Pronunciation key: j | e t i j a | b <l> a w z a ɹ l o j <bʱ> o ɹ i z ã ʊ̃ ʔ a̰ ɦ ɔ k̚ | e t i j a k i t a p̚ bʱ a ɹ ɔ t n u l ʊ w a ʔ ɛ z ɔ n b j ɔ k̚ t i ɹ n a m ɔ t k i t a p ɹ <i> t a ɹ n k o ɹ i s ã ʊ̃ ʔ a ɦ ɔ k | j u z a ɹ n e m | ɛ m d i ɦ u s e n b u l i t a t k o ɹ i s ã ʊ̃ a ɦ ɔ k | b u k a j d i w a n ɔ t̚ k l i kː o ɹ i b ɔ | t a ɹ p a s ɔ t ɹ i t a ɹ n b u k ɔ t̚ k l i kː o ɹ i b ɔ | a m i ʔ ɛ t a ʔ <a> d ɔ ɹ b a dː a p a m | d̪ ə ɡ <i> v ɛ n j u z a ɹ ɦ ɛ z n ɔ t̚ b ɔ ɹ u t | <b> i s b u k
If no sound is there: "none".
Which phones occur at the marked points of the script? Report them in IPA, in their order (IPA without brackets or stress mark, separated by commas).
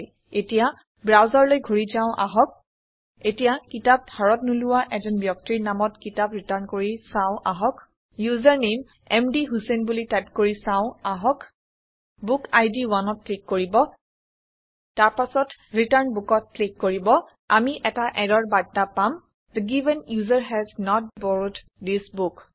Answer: ɹ, ɡʱ, i, ɛ, i, d